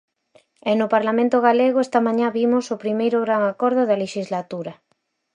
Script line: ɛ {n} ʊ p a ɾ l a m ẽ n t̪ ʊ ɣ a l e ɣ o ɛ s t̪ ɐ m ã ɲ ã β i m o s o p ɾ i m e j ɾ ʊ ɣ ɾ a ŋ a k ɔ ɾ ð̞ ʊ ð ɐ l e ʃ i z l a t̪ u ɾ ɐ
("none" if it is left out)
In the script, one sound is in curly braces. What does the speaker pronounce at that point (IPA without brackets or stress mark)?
n